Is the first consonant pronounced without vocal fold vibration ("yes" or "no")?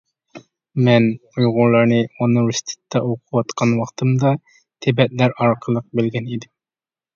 no